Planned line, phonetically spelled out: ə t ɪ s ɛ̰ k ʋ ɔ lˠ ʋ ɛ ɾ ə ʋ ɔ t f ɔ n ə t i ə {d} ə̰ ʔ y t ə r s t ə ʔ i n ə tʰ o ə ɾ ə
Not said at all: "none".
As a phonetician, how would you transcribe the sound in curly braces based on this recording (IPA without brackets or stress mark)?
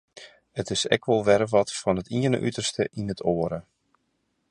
n